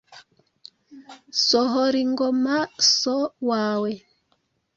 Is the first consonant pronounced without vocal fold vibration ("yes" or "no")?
yes